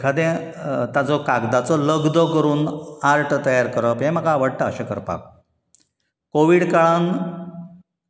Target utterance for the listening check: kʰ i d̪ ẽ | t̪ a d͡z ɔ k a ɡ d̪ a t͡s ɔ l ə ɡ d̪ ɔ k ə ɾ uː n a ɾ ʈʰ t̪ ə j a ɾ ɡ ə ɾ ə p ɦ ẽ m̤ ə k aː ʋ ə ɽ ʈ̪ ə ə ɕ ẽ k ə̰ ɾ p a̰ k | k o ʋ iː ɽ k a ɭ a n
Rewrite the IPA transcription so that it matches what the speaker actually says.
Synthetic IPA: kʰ a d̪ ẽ | t̪ a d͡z ɔ k a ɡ d̪ a t͡s ɔ l ə ɡ d̪ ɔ k ə ɾ uː n a ɾ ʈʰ t̪ ə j a ɾ k ə ɾ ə p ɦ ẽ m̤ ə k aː ʋ ə ɽ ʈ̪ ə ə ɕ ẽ k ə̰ ɾ p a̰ k | k o ʋ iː ɽ k a ɭ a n